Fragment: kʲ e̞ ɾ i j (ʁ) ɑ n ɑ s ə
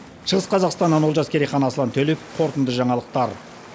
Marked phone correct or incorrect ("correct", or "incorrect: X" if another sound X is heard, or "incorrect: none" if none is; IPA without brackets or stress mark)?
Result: incorrect: χ